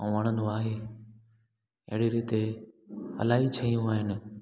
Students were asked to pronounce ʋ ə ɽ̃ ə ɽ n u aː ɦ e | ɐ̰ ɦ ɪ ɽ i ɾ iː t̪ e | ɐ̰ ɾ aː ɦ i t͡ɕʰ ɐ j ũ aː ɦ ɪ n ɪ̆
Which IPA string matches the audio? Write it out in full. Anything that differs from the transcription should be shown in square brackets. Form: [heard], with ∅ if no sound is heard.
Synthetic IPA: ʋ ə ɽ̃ ə [∅] n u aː ɦ e | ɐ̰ ɦ ɪ ɽ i ɾ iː t̪ e | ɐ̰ [l] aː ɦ i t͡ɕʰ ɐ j ũ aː ɦ ɪ n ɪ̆